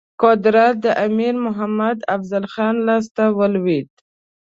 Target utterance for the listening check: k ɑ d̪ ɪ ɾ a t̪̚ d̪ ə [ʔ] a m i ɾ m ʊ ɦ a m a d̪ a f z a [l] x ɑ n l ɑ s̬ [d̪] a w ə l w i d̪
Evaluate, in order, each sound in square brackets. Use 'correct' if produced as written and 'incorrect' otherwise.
correct, correct, incorrect

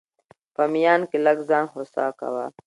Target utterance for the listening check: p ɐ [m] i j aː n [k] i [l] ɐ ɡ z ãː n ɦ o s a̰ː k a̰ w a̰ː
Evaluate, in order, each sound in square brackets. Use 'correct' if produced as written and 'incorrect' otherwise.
correct, correct, correct

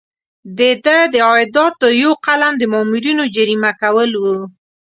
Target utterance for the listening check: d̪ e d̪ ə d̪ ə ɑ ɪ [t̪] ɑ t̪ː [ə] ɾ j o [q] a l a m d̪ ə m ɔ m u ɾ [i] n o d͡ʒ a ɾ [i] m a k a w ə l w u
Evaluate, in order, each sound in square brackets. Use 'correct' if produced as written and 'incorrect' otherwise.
incorrect, correct, correct, correct, correct

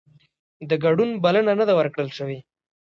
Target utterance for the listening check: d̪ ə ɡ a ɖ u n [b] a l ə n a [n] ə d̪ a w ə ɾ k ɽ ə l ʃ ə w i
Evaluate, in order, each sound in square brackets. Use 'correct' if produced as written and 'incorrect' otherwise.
correct, correct

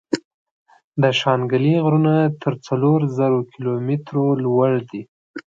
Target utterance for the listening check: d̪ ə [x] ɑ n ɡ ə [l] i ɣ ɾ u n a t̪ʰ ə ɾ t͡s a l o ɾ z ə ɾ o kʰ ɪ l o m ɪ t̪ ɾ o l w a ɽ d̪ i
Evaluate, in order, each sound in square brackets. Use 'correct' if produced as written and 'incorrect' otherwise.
incorrect, correct

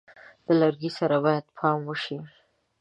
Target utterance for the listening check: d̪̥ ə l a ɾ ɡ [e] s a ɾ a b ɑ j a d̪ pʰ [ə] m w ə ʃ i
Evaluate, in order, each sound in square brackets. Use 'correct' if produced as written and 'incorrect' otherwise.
incorrect, incorrect

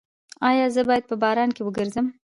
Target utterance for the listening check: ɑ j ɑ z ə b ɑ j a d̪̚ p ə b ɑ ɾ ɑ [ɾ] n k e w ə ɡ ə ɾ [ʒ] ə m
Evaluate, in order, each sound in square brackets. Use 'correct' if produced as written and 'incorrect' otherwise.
incorrect, incorrect

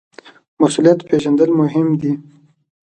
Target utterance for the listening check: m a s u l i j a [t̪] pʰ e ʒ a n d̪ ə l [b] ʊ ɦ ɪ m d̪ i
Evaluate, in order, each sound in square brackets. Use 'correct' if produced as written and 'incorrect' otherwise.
correct, incorrect

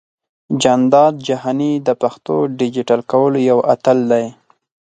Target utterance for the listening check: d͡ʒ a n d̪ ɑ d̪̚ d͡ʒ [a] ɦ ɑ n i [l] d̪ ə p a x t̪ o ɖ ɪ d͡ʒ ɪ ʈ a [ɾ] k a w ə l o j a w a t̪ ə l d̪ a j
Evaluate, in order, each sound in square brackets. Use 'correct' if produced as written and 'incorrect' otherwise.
correct, incorrect, incorrect

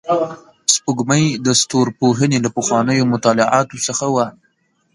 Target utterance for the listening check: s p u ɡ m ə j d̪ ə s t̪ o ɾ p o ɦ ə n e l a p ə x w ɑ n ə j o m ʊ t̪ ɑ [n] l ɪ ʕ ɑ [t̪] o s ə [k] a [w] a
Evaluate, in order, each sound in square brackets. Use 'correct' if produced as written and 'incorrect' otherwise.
incorrect, correct, incorrect, correct

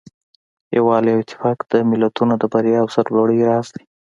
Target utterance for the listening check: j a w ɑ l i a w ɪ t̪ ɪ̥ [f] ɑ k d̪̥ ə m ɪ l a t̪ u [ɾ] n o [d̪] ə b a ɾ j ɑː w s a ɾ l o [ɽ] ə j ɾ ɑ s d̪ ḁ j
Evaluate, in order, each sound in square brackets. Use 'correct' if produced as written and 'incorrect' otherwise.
correct, incorrect, correct, correct

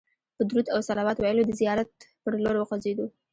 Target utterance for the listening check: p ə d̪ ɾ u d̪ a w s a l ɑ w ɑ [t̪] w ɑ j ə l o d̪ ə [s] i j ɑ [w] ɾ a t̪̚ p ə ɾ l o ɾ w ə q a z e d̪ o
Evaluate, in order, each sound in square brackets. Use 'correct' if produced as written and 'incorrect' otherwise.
correct, incorrect, incorrect

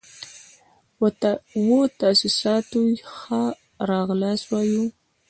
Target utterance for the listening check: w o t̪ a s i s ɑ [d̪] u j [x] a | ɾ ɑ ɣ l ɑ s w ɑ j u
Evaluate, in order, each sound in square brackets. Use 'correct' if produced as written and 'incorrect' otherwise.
incorrect, correct

